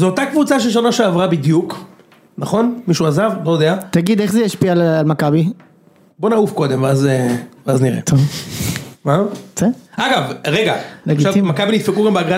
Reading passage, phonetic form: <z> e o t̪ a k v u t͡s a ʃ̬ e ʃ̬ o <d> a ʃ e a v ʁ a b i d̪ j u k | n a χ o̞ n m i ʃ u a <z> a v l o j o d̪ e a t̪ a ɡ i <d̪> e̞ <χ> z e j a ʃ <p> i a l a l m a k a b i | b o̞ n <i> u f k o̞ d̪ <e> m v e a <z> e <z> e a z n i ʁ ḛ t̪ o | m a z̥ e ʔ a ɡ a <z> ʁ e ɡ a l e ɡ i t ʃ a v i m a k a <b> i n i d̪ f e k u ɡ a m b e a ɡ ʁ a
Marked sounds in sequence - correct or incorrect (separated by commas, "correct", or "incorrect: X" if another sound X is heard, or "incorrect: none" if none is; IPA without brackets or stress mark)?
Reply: correct, incorrect: n, correct, correct, correct, correct, incorrect: a, correct, correct, incorrect: v, incorrect: v, correct